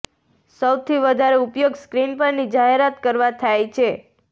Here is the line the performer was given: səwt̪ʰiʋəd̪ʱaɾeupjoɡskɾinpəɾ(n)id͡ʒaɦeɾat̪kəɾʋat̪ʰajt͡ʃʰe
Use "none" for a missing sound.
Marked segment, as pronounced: n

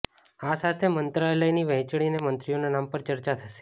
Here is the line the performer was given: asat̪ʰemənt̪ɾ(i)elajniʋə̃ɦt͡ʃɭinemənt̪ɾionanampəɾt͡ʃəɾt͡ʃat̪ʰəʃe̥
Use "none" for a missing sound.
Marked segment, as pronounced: a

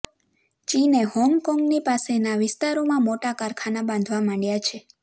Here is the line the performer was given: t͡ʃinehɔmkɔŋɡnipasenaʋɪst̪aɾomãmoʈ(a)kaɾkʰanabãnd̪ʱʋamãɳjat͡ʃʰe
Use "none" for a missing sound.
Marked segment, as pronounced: a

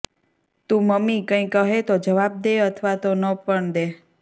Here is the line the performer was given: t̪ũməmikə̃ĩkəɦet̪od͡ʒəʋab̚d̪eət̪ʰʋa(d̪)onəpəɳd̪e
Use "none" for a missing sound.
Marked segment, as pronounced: t̪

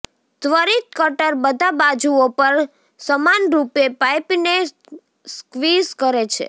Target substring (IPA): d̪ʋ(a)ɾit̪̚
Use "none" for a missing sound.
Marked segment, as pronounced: ə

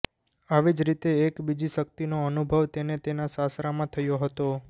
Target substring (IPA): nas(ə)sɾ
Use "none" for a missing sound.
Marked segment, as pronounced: a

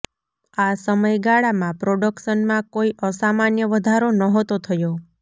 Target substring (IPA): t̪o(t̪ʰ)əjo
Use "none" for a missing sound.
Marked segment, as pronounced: t̪ʰ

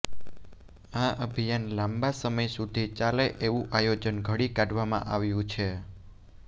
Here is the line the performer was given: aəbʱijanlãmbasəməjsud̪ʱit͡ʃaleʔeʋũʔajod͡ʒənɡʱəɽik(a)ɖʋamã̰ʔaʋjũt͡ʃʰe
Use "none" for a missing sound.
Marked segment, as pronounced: a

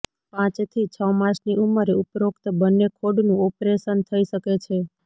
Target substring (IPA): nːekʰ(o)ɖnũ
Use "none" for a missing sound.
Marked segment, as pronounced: o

